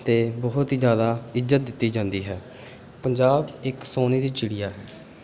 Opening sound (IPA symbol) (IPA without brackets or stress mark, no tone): t̪